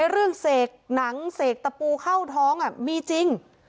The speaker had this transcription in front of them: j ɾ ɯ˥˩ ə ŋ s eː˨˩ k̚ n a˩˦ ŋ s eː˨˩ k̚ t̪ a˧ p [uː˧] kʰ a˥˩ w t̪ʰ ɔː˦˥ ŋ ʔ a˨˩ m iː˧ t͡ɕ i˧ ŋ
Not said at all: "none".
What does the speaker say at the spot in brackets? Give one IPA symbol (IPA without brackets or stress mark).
uː˧